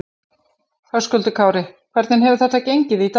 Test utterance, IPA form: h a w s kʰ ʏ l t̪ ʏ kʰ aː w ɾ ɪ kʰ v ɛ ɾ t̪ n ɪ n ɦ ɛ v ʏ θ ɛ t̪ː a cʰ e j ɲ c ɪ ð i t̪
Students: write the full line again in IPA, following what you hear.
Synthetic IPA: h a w s k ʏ l t̪ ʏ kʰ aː w ɾ ɪ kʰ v ɛ ɾ t̪ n ɪ n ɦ ɛ v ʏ θ ɛ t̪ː a c e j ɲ c ɪ ð i t̪